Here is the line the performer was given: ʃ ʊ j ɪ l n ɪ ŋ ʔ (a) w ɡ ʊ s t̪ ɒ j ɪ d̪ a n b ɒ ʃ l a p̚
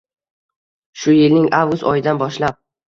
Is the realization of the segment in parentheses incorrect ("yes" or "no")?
no